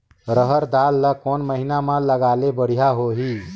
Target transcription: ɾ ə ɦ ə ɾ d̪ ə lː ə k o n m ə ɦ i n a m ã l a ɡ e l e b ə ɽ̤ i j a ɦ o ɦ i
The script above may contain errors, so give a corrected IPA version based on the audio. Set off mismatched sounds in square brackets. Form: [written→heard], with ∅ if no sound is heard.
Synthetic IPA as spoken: ɾ ə ɦ ə ɾ d̪ [ə→a] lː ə k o n m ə ɦ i n a m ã l [a→ə] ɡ [e→a] l e b ə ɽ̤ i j a ɦ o ɦ i